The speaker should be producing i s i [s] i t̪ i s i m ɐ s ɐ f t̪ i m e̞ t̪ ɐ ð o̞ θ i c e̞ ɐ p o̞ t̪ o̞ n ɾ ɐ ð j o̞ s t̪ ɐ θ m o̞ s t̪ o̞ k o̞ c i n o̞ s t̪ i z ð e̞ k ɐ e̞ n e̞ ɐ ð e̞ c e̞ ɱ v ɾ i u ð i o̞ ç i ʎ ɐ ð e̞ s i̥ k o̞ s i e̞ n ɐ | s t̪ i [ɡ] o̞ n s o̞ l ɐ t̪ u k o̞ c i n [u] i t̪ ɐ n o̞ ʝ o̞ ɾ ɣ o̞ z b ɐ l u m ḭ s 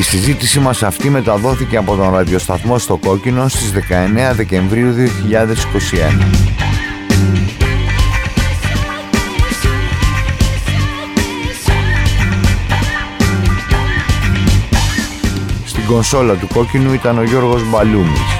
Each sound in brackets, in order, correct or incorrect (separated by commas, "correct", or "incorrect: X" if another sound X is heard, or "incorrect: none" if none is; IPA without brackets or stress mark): incorrect: z, correct, correct